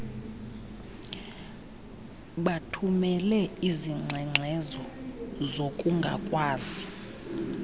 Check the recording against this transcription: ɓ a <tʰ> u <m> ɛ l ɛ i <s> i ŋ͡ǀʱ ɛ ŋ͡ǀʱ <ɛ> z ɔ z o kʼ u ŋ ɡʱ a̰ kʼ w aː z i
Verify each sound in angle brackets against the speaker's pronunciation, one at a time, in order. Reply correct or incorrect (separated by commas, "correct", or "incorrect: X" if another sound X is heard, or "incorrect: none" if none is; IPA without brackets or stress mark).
correct, correct, incorrect: z, correct